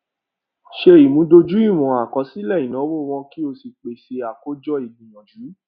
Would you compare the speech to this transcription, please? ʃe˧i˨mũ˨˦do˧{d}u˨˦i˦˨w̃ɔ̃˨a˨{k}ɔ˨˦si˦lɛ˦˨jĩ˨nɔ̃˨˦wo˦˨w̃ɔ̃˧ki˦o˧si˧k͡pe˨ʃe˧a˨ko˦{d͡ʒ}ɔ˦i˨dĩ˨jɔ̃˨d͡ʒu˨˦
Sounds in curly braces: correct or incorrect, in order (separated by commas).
incorrect, correct, correct